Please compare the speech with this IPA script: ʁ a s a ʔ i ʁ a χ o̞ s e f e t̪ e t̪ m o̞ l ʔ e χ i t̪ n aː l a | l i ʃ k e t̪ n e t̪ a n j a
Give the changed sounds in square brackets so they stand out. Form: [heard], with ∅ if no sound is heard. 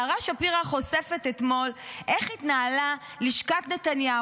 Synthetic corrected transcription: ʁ a [ʃ] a [p] i ʁ a χ o̞ s e f e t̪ e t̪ m o̞ l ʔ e χ i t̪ n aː l a | l i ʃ k [a] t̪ n e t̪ a n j a